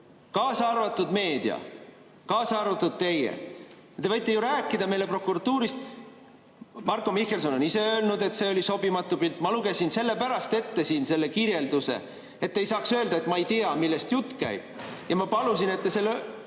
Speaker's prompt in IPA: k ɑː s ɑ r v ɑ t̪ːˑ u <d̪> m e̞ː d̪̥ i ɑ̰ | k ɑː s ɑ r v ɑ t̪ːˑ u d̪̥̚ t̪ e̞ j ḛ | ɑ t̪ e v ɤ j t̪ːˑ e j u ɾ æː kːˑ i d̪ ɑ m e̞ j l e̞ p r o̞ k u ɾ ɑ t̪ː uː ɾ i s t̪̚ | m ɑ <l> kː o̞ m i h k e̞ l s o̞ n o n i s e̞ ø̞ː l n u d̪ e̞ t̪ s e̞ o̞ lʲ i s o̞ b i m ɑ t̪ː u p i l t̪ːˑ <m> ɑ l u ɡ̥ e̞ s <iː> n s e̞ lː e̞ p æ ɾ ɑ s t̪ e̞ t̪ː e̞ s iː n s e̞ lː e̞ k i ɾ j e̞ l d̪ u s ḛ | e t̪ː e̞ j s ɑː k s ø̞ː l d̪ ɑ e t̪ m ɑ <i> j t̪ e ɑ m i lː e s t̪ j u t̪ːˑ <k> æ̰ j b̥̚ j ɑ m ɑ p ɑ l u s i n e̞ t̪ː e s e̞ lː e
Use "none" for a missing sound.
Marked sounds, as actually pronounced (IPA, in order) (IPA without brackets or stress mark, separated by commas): d̪, r, m, i, e, k